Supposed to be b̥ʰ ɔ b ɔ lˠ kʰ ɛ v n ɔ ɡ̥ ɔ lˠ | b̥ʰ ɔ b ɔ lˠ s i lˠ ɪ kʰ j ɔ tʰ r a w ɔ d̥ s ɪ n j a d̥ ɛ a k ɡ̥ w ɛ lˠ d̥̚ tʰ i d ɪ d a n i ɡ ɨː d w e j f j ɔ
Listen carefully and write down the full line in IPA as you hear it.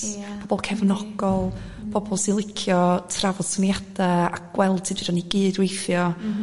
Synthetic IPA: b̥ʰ ɔ b ɔ lˠ kʰ ɛ v n ɔ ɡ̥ ɔ lˠ | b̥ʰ ɔ b ɔ lˠ s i lˠ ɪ kʰ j ɔ tʰ r a v ɔ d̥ s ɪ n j a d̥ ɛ a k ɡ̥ w ɛ lˠ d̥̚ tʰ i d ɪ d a n i ɡ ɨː d w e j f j ɔ